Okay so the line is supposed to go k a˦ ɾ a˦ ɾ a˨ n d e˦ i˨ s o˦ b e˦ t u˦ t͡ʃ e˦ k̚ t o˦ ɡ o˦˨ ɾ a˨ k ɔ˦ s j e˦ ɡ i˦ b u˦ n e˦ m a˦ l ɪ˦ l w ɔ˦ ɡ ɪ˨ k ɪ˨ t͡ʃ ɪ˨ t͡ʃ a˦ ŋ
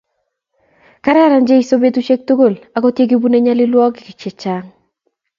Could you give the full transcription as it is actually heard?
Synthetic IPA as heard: k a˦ ɾ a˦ ɾ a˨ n d͡ʒ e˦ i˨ s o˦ b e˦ t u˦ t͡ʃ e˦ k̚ t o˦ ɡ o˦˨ l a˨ k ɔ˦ t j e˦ ɡ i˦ b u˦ n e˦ ɲ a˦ l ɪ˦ l w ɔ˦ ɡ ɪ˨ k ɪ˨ t͡ʃ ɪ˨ t͡ʃ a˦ ŋ